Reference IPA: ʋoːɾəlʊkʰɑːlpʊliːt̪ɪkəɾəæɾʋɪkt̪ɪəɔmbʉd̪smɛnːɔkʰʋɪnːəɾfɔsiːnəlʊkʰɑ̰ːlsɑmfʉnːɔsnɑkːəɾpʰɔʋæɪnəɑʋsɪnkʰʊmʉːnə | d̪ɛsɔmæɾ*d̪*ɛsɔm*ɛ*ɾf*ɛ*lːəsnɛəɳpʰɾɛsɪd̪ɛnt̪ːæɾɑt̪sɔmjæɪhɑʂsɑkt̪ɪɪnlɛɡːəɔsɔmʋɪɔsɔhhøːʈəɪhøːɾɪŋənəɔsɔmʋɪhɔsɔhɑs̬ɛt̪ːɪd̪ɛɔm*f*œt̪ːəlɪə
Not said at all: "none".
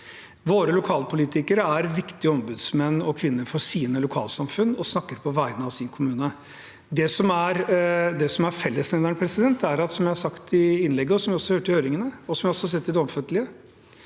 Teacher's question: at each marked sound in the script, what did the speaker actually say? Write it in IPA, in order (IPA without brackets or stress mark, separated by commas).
d̪, æ, ɛ, f